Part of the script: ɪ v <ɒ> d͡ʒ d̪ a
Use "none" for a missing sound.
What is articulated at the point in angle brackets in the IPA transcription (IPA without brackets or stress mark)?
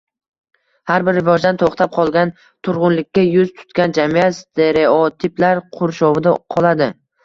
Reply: ɒ